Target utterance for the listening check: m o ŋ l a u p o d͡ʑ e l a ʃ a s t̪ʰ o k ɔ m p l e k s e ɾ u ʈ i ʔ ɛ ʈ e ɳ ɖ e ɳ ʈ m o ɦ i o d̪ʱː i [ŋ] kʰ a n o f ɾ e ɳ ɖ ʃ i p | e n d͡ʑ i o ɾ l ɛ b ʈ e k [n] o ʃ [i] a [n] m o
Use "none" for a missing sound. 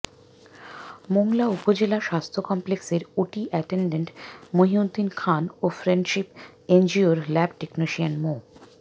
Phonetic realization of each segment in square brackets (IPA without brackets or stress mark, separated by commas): n, n, i, n